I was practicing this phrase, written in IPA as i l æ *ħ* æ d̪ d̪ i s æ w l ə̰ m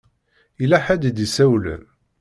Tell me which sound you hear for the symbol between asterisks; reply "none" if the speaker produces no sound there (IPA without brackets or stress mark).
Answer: ħ